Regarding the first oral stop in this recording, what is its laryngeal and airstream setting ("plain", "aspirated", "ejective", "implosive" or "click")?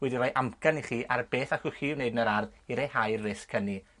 plain